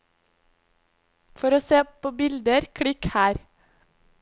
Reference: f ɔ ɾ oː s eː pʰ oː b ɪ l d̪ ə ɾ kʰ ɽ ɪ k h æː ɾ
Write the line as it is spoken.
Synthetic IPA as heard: f ɔ ɾ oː s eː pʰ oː b ɪ l d̪ ə ɾ kʰ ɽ ɪ k h æː ɾ